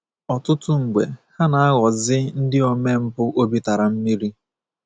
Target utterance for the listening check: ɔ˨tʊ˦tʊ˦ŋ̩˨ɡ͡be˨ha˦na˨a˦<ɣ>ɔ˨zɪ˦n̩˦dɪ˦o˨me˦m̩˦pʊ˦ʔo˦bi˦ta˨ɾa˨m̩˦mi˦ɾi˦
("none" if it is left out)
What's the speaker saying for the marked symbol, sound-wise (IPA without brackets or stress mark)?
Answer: ɣ